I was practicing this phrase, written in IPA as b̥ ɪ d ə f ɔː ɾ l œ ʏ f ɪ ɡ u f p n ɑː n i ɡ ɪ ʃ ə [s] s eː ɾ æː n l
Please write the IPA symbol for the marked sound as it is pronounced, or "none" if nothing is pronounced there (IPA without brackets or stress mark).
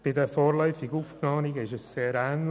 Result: s